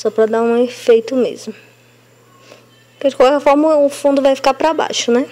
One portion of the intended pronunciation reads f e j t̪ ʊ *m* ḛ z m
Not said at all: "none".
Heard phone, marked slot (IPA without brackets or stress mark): m